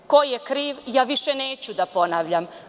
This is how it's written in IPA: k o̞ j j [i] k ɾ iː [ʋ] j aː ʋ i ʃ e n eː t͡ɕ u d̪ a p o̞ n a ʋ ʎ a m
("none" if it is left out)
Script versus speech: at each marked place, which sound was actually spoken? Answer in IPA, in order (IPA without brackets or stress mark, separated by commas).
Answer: e, ʋ